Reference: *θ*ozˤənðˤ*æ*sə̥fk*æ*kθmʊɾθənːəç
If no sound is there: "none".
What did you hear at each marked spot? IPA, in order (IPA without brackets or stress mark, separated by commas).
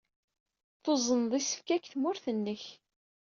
θ, i, æ